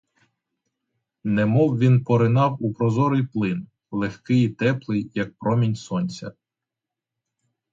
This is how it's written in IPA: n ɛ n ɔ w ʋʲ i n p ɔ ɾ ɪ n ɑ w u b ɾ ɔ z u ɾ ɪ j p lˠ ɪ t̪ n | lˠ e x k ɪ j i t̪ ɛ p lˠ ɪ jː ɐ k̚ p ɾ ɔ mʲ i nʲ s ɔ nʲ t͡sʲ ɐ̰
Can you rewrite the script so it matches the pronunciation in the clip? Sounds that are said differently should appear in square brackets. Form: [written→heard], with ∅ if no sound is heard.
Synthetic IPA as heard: n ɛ [n→m] ɔ w ʋʲ i n p ɔ ɾ ɪ n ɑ w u [b→p] ɾ ɔ z [u→ɔ] ɾ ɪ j p lˠ ɪ [t̪→∅] n | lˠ e x k ɪ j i t̪ ɛ p lˠ ɪ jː ɐ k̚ p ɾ ɔ mʲ i nʲ s ɔ nʲ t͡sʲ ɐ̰